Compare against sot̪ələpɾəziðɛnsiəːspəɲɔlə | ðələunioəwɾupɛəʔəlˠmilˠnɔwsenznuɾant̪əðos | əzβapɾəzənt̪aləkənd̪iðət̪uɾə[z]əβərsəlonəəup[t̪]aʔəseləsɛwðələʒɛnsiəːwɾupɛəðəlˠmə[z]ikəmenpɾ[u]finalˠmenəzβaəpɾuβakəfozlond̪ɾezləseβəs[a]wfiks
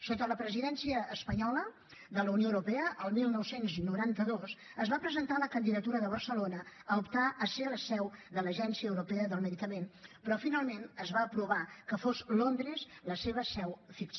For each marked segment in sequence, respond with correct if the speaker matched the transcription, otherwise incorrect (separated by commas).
incorrect, correct, incorrect, incorrect, incorrect